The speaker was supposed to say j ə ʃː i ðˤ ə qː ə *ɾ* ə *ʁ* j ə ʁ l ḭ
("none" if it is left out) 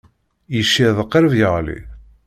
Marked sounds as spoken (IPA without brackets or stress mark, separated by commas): ɾ, v